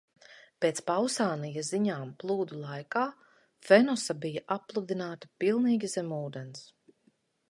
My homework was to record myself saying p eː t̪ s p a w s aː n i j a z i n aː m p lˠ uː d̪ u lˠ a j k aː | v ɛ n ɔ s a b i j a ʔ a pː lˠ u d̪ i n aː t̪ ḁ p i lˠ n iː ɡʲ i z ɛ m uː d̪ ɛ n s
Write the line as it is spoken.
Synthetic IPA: p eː t̪ s p a w s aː n i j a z i ɲ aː m p lˠ uː d̪ u lˠ a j k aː | f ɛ n ɔ s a b i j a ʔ a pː lˠ u d̪ i n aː t̪ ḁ p i lˠ n iː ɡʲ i z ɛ m uː d̪ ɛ n s